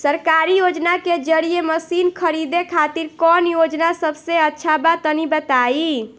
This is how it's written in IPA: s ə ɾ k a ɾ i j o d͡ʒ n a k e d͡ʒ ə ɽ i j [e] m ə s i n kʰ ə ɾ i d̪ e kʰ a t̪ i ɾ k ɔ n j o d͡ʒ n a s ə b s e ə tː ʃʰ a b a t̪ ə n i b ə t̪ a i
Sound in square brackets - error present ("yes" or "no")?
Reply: no